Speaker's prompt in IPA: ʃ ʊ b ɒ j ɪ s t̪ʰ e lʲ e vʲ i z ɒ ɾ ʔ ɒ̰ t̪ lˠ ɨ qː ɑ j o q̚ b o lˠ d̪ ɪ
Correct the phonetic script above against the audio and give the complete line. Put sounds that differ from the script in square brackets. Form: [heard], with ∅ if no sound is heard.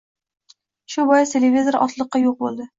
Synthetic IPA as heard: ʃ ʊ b ɒ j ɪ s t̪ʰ e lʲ e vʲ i z [o] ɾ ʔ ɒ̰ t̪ lˠ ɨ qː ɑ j o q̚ b o lˠ d̪ ɪ